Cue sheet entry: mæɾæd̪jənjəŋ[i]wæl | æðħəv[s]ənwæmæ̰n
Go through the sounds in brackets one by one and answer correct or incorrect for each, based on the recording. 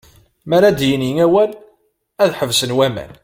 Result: incorrect, correct

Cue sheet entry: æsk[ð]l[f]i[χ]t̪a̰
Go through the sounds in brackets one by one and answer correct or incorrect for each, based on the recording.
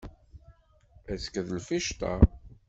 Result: correct, correct, incorrect

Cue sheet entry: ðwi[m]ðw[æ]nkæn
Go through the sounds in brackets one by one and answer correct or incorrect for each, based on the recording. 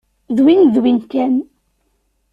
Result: incorrect, incorrect

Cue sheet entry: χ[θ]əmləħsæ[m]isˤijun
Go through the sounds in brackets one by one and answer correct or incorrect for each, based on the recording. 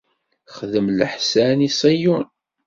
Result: incorrect, incorrect

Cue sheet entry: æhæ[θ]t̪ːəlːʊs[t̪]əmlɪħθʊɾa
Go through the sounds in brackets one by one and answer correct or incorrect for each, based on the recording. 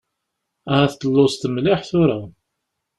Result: correct, correct

